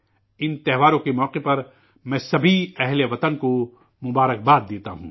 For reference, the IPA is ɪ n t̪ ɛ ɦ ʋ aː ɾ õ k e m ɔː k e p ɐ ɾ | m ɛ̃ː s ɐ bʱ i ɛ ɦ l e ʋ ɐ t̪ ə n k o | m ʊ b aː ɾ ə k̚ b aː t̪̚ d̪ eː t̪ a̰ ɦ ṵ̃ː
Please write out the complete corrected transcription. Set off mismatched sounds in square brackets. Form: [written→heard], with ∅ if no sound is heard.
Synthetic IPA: ɪ n t̪ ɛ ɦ ʋ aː ɾ õ k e m ɔː [k→q] e p ɐ ɾ | m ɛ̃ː s ɐ bʱ i ɛ ɦ l e ʋ ɐ t̪ ə n k o | m ʊ b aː ɾ ə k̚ b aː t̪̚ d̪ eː t̪ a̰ ɦ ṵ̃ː